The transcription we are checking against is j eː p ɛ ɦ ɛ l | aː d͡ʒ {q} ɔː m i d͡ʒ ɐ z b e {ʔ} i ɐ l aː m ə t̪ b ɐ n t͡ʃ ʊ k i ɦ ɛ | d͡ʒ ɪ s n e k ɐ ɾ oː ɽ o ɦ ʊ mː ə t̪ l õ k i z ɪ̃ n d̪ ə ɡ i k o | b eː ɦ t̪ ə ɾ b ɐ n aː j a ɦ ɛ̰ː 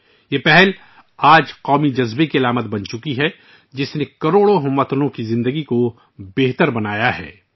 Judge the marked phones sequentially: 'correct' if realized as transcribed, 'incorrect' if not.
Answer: correct, incorrect: k

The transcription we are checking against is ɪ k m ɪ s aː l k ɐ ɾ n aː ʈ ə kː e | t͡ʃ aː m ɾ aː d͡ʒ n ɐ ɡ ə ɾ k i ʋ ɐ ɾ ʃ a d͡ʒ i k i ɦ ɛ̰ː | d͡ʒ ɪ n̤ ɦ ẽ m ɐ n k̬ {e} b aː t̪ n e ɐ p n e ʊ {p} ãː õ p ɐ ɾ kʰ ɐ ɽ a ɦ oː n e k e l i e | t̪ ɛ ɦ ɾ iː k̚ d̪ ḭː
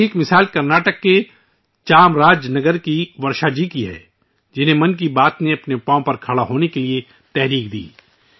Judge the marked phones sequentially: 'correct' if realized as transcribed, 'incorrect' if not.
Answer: incorrect: i, correct

